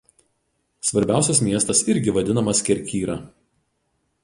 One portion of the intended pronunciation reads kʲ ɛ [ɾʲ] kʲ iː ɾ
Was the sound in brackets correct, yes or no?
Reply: yes